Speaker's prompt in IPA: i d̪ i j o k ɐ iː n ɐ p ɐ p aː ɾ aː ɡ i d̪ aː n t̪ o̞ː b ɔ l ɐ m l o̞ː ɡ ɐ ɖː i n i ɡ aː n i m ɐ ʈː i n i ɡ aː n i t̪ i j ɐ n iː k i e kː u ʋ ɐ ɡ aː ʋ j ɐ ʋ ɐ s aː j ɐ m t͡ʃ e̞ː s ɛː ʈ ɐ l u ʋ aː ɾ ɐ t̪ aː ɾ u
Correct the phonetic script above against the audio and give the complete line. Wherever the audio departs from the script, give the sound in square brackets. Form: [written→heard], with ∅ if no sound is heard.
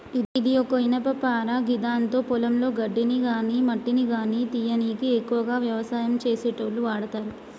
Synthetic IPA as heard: i d̪ i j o k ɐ [iː→i] n ɐ p ɐ p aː ɾ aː ɡ i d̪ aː n t̪ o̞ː [b→p] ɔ l ɐ m l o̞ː ɡ ɐ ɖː i n i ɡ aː n i m ɐ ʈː i n i ɡ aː n i t̪ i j ɐ n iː k i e kː u ʋ ɐ ɡ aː ʋ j ɐ ʋ ɐ s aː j ɐ m t͡ʃ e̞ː s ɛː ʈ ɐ l u ʋ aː [ɾ→ɽ] ɐ t̪ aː ɾ u